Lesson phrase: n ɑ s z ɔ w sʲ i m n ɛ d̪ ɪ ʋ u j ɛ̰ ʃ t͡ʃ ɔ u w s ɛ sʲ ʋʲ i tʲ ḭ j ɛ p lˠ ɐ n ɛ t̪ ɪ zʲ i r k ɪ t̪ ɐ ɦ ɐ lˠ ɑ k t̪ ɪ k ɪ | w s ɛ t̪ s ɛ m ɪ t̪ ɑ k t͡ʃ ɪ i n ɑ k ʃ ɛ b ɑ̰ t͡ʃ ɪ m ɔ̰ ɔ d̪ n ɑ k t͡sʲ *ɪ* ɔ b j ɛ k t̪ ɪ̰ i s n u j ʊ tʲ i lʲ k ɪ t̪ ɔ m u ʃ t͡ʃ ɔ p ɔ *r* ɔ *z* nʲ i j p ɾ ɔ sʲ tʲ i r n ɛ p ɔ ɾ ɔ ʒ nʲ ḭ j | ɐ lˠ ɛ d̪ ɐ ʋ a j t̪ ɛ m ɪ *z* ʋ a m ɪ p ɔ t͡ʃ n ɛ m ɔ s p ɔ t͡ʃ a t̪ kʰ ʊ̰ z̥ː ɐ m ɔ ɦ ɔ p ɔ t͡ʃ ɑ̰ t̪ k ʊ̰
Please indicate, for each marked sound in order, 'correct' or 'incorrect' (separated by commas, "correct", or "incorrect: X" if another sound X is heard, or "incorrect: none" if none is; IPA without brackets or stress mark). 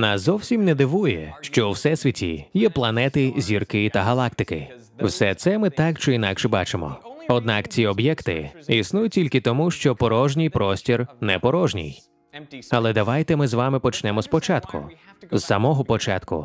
incorrect: i, incorrect: ɾ, incorrect: ʒ, correct